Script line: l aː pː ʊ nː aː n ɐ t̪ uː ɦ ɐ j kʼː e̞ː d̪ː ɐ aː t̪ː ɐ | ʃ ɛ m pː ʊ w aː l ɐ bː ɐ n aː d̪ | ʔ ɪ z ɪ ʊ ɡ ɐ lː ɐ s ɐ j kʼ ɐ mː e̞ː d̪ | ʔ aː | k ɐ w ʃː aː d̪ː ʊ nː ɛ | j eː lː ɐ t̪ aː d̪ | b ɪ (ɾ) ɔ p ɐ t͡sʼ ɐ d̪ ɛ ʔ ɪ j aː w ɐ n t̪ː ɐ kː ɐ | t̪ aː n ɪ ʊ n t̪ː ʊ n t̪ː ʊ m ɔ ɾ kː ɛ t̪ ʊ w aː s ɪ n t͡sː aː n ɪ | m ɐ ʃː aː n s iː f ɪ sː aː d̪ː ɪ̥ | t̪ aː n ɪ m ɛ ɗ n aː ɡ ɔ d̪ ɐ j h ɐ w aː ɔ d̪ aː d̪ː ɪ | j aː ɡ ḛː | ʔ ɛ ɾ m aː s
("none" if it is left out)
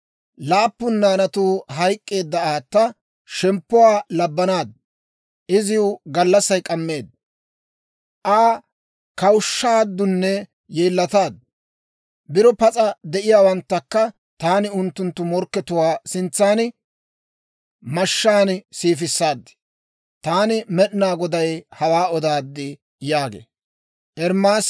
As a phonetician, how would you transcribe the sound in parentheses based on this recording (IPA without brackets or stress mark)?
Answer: ɾ